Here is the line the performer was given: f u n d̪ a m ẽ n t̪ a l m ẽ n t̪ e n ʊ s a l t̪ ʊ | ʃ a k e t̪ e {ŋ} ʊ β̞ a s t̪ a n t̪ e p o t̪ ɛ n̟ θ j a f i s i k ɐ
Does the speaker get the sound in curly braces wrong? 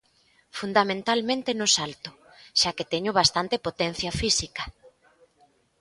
yes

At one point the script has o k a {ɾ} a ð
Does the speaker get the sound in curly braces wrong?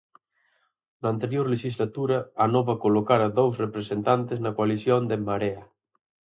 no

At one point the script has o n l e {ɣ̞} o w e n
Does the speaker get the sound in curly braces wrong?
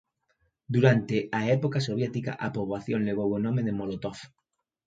no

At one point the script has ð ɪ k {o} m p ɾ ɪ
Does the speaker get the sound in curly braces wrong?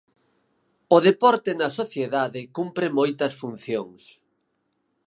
yes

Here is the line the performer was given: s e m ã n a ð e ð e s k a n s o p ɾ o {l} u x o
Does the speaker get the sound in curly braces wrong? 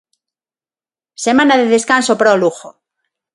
no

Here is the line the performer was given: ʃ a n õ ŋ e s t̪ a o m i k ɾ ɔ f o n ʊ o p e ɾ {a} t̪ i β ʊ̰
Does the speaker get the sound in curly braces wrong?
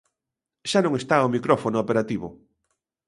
no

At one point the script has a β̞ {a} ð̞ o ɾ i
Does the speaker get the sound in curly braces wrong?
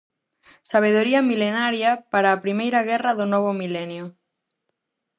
yes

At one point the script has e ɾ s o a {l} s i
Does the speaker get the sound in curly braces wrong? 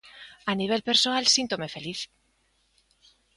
no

